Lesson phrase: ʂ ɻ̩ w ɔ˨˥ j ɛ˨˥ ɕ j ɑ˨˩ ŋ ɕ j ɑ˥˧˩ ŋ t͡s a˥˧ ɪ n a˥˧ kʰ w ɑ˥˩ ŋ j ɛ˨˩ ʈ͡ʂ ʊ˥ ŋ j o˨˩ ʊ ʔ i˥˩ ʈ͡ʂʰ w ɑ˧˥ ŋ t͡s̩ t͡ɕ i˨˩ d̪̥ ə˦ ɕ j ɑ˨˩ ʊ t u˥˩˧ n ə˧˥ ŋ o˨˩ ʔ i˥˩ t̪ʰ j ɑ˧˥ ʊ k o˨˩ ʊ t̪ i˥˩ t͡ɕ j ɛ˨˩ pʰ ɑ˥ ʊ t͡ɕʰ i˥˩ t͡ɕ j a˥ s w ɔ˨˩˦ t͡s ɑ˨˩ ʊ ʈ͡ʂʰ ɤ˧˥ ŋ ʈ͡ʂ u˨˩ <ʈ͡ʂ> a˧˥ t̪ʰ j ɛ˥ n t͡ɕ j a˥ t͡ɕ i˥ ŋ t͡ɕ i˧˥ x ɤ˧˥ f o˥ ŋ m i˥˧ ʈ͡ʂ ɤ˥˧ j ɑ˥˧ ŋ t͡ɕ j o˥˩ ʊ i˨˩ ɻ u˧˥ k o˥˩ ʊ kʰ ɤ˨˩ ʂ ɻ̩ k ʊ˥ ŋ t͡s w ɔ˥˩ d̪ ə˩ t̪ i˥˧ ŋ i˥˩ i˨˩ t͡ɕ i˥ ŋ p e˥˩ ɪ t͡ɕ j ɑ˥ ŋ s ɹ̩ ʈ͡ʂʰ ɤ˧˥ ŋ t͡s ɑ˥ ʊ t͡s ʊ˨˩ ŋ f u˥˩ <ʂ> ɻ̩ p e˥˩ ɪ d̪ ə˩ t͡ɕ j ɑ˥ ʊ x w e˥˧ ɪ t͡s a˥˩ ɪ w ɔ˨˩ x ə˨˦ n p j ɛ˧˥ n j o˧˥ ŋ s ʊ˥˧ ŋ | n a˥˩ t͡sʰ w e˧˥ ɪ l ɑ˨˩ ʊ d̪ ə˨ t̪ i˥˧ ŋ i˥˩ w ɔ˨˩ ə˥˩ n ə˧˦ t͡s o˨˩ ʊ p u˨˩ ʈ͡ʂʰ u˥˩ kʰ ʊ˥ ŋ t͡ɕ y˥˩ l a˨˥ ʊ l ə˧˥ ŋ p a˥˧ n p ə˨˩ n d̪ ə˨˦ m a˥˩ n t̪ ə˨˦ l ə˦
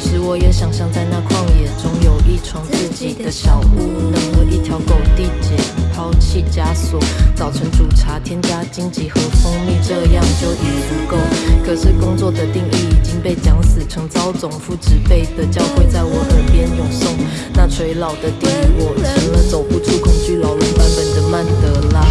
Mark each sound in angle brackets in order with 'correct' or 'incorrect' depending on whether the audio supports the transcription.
incorrect: ʈ͡ʂʰ, incorrect: ʈ͡ʂ

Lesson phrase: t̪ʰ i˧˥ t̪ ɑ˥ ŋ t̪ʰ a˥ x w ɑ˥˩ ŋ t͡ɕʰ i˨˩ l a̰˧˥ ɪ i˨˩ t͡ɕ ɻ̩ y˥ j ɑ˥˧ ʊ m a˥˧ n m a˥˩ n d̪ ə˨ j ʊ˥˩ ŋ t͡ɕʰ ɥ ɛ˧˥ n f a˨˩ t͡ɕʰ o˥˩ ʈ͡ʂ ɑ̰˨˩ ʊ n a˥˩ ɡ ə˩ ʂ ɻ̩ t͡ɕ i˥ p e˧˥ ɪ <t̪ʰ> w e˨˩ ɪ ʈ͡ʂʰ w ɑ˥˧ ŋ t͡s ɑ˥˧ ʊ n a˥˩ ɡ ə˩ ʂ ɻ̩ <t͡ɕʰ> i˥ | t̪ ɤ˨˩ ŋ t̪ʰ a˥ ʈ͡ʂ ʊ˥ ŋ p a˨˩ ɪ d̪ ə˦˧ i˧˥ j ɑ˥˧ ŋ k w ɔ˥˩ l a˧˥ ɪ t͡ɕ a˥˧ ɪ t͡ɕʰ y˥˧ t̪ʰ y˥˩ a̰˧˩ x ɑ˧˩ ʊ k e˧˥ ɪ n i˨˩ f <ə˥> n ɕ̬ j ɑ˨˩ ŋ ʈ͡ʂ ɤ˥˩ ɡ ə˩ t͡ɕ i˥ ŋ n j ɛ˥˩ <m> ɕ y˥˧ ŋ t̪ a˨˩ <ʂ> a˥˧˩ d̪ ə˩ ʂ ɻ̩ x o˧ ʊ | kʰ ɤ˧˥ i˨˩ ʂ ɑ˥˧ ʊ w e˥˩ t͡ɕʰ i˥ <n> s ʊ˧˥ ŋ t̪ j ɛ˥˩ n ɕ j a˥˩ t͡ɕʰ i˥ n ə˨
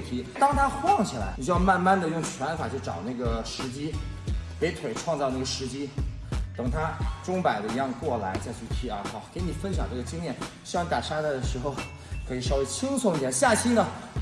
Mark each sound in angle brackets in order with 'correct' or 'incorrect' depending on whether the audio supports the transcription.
correct, incorrect: t͡ɕ, correct, incorrect: n, correct, incorrect: ŋ

